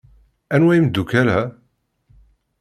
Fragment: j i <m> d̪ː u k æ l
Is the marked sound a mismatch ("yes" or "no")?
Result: no